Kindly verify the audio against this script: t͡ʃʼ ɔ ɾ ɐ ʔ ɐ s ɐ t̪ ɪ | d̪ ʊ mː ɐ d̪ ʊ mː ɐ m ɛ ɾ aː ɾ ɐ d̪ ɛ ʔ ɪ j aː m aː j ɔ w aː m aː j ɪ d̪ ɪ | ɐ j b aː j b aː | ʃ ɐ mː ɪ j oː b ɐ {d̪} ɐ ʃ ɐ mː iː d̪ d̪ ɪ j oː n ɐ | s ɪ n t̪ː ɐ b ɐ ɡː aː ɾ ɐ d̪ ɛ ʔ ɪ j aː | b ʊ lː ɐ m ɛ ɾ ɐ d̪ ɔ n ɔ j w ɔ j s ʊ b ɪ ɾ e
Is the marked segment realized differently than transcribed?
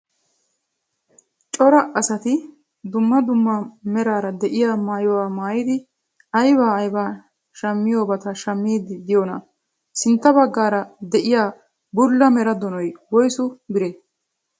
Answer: yes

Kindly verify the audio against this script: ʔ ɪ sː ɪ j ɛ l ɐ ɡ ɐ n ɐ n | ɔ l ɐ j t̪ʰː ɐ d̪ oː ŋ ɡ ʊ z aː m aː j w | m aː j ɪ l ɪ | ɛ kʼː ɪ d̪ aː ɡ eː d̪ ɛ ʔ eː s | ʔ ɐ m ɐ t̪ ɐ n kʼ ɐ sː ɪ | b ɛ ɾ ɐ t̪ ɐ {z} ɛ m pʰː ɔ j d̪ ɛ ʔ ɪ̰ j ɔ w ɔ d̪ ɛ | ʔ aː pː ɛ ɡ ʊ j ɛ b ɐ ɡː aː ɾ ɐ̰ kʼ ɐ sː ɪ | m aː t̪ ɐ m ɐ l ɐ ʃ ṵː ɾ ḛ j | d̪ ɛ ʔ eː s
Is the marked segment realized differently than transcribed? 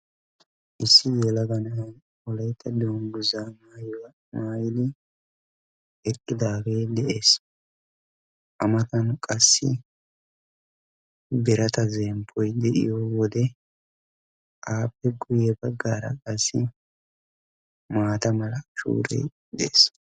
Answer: no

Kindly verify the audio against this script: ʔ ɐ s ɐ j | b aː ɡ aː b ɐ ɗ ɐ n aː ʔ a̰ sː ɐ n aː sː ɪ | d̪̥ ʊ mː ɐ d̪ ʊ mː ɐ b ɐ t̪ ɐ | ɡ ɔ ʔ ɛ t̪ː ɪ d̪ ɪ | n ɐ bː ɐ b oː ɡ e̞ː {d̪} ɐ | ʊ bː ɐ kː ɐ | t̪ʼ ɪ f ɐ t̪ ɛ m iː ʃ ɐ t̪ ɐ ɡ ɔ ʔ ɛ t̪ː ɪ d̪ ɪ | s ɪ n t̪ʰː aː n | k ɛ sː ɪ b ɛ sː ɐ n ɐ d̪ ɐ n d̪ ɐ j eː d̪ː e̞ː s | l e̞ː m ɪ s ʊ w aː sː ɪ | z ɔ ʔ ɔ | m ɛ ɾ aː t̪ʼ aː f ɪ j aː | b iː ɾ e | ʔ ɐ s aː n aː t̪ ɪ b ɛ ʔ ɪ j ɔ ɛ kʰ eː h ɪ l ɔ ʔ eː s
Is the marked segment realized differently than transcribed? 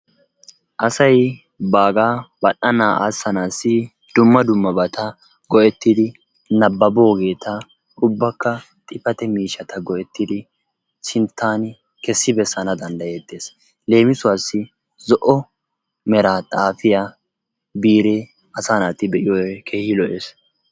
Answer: yes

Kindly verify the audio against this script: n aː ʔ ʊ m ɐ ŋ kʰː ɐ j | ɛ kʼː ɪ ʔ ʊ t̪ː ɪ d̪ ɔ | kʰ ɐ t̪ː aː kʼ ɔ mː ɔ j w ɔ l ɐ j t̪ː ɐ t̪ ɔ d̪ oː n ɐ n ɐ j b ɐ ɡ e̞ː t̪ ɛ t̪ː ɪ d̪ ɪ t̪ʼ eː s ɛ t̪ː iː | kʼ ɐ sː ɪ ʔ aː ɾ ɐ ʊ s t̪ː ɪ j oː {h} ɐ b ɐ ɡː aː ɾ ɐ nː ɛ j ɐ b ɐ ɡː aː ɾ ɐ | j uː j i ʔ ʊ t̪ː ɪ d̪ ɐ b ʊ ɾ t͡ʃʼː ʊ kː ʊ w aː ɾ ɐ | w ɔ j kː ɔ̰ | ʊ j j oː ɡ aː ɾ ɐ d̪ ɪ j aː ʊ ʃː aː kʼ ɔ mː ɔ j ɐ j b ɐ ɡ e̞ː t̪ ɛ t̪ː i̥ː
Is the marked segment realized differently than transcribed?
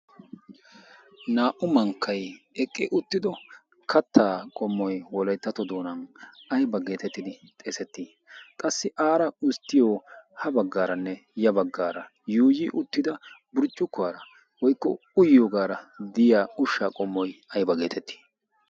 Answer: no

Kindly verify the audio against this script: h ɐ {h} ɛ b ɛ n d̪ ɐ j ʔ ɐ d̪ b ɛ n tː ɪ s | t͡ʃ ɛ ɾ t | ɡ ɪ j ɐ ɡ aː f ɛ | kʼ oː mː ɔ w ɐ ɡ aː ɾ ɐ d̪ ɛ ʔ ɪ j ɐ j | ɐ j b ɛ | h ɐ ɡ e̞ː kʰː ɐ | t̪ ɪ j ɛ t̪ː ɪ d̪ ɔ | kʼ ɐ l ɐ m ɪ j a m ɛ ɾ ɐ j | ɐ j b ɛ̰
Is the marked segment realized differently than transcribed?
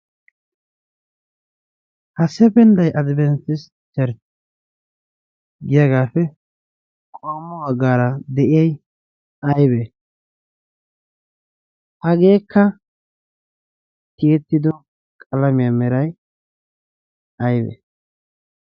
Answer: yes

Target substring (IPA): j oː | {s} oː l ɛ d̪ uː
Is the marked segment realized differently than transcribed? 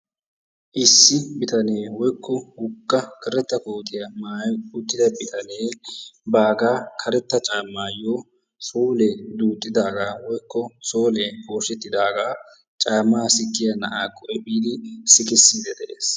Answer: no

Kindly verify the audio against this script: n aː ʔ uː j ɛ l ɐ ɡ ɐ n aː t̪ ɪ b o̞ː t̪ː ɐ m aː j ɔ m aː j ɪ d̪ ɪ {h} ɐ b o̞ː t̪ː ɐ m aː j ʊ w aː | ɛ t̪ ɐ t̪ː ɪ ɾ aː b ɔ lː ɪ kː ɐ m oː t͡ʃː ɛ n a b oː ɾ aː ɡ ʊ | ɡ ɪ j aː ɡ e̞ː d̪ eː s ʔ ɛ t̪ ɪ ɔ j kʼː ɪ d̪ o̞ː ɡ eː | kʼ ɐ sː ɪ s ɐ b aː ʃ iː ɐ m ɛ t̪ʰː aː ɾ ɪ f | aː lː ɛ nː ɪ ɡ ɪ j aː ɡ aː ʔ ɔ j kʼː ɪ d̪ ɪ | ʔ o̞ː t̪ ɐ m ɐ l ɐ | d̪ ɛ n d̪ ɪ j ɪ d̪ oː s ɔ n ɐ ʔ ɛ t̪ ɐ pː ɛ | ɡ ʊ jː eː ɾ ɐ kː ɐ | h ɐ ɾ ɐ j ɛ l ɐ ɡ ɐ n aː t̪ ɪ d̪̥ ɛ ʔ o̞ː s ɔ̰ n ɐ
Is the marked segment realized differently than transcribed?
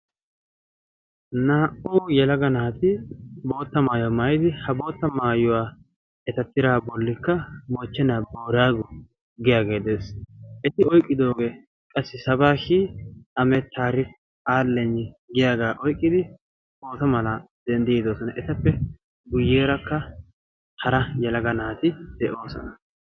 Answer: no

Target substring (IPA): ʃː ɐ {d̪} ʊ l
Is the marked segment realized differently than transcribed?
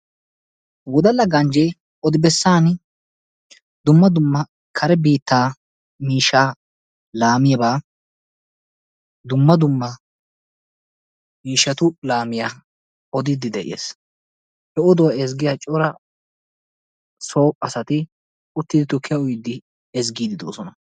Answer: yes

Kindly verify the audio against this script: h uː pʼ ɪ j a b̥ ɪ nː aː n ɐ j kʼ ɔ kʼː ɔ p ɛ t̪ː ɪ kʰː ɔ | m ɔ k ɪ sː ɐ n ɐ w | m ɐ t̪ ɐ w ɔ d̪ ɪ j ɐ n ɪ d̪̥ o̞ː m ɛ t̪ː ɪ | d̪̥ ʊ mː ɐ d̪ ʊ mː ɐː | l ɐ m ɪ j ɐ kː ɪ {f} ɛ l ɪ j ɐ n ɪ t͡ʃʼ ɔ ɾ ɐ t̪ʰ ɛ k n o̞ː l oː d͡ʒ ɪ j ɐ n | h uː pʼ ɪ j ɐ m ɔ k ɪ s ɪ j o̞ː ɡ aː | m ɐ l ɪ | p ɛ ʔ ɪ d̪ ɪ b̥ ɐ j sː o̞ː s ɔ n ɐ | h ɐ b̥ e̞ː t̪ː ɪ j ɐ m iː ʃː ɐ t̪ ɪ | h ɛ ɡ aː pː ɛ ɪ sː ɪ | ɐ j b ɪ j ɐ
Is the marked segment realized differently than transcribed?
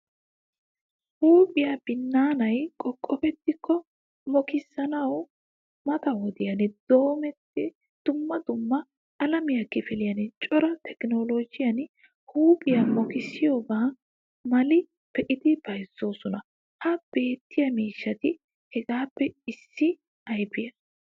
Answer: no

